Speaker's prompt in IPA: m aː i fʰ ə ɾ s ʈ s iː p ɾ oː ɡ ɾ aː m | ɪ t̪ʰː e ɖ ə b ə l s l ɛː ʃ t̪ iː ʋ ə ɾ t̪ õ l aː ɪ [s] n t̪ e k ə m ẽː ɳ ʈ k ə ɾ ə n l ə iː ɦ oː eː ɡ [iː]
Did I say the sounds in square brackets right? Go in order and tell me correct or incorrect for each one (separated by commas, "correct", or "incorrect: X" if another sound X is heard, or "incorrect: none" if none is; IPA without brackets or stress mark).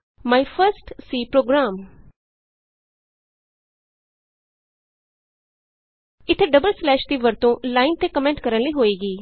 incorrect: none, correct